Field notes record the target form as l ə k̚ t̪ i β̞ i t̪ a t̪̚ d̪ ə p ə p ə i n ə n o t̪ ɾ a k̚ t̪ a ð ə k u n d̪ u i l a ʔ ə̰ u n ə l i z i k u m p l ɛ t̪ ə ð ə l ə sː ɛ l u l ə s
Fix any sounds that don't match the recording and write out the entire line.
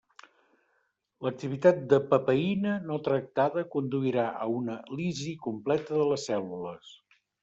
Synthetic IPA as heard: l ə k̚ t̪ i β̞ i t̪ a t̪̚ d̪ ə p ə p ə i n ə n o t̪ ɾ ə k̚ t̪ a ð ə k u n d̪ u i ɾ a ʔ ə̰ u n ə l i z i k u m p l ɛ t̪ ə ð ə l ə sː ɛ l u l ə s